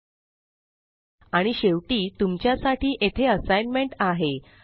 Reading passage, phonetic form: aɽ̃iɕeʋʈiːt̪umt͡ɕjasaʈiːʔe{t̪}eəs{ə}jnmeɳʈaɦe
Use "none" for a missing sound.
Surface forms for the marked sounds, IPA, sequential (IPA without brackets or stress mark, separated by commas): t̪ʰ, a